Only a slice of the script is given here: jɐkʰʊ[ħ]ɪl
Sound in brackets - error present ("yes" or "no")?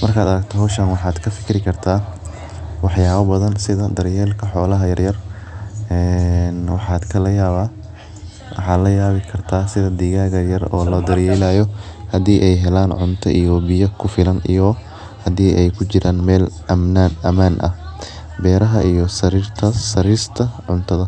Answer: yes